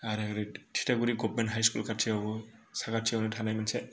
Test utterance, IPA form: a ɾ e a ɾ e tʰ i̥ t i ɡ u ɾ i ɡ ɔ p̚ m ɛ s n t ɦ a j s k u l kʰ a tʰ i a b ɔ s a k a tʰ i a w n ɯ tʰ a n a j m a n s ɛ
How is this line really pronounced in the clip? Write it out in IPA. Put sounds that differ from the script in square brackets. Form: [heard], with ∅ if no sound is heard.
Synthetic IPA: a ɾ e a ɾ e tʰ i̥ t [a] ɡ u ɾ i ɡ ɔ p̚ m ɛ [∅] n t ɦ a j s k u l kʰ a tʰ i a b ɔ s a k a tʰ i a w n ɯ tʰ a n a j m a n s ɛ